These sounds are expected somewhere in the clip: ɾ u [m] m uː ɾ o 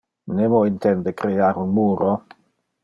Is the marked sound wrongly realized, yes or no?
yes